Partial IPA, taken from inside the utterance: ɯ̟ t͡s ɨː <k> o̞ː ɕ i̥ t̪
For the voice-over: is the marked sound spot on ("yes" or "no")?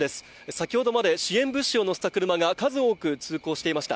yes